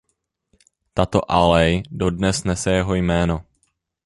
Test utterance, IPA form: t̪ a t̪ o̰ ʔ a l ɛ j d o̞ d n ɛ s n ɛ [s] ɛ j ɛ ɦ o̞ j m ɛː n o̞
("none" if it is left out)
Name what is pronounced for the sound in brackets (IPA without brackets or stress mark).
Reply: s